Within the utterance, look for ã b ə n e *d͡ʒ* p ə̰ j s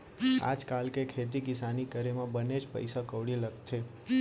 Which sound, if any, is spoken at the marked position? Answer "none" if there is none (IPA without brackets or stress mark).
d͡ʒ